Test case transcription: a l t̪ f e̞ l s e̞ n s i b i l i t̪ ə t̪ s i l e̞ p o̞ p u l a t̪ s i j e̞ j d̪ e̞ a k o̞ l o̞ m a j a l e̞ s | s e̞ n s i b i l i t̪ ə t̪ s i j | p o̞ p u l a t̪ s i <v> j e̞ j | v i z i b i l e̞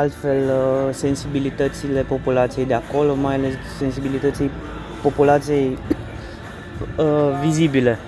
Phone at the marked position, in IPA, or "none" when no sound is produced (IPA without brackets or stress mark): none